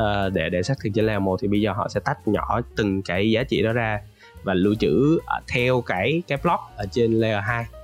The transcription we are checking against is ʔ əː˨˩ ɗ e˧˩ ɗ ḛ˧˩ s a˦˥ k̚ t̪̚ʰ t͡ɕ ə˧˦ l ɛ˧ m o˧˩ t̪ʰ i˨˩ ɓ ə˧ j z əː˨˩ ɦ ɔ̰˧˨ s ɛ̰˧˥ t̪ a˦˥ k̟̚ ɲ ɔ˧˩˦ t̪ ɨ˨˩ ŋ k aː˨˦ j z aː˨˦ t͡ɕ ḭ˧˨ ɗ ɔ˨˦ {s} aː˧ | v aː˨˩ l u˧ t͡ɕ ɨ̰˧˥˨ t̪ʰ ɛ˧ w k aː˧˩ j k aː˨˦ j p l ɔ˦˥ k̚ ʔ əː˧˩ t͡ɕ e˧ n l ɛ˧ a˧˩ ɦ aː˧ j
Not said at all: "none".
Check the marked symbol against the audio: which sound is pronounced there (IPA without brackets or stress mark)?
z